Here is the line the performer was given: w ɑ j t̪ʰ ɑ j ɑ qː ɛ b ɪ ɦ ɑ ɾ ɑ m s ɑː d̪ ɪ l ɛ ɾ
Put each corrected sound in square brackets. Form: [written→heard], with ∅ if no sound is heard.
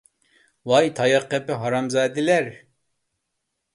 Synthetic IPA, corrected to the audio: w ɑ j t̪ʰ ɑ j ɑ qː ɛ [b→p] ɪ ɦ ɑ ɾ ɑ m [s→z] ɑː d̪ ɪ l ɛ ɾ